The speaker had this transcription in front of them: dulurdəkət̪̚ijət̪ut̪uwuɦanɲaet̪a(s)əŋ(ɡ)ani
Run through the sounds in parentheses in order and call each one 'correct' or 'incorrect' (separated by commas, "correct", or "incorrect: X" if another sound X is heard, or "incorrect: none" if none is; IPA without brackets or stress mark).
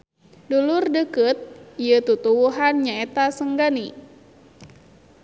correct, correct